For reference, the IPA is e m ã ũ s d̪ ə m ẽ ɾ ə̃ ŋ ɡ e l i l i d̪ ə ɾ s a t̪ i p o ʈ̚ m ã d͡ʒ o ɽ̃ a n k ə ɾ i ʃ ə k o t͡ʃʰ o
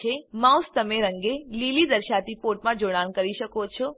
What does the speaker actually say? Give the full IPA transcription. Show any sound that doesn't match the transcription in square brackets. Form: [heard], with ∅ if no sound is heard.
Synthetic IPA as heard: e m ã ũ s [t̪] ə m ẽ ɾ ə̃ ŋ ɡ e l i l i d̪ ə ɾ [ʃ] a t̪ i p o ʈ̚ m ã d͡ʒ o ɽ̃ a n k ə ɾ i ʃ ə k o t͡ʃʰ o